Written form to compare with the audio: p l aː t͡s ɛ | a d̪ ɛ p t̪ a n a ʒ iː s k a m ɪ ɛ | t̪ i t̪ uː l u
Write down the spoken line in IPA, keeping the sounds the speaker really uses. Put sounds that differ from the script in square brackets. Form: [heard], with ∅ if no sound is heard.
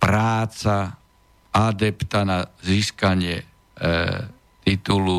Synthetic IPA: p [ɾ] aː t͡s [a] | a d̪ ɛ p t̪ a n a [z] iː s k a [ɲ] ɪ ɛ | t̪ i t̪ [u] l u